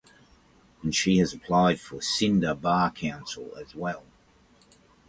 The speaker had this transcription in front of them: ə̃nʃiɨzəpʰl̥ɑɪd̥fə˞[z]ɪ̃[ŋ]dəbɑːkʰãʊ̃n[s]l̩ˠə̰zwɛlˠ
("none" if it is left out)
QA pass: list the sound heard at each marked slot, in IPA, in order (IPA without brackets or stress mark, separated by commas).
s, n, s